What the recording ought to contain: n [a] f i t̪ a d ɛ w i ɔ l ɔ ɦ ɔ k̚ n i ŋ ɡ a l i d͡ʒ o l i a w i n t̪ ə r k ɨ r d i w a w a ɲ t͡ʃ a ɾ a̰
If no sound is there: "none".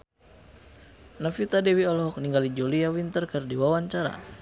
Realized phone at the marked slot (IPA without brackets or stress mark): a